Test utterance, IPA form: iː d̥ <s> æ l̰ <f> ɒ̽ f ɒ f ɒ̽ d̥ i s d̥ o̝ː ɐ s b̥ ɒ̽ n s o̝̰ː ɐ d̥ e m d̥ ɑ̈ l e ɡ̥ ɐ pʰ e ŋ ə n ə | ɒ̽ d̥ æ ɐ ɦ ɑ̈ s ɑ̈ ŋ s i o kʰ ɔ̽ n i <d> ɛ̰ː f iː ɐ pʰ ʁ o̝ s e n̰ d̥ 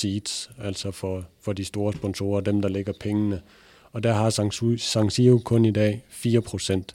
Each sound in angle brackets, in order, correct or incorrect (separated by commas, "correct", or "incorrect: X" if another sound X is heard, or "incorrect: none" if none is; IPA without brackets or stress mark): correct, incorrect: s, correct